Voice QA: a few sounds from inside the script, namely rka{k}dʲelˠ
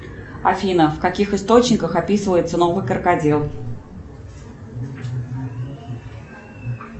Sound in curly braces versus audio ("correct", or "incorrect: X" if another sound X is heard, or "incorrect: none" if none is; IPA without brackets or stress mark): incorrect: none